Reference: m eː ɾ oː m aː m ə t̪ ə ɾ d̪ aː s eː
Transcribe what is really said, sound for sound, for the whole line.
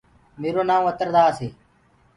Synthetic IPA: m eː ɾ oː n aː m ə t̪ ə ɾ d̪ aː s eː